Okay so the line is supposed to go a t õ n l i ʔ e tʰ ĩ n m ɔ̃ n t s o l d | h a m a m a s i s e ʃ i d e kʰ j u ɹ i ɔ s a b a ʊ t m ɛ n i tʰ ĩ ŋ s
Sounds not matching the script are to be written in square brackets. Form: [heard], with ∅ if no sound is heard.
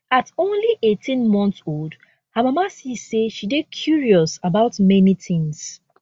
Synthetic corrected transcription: a t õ n l i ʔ e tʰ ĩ n m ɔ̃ n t s o l d | h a m a m a s i s e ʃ i d e kʰ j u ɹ i ɔ s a b a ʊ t m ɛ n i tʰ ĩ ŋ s